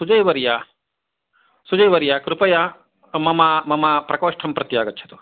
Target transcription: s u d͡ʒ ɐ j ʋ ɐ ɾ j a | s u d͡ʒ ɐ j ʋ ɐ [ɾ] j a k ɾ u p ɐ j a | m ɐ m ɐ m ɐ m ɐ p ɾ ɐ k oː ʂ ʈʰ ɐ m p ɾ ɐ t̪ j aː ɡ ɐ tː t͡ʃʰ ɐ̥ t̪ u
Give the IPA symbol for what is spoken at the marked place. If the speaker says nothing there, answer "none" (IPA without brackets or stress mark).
ɾ